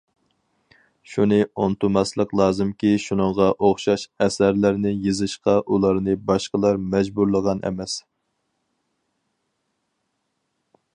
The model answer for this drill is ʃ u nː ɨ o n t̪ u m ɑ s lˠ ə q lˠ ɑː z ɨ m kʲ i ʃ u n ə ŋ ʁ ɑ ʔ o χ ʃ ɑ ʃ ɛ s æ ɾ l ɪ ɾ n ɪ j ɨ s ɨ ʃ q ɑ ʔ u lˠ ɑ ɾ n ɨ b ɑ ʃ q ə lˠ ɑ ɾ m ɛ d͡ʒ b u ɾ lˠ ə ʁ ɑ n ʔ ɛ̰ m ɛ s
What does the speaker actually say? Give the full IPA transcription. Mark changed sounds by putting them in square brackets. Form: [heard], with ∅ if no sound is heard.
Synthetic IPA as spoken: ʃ u [n] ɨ o n t̪ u m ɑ s lˠ ə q lˠ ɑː z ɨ m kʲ i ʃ u n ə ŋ ʁ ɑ ʔ o χ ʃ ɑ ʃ ɛ s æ ɾ l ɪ ɾ n ɪ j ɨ [z] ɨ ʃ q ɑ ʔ u lˠ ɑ ɾ n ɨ b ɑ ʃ q ə lˠ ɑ ɾ m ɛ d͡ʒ b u ɾ lˠ ə ʁ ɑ n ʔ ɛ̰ m ɛ s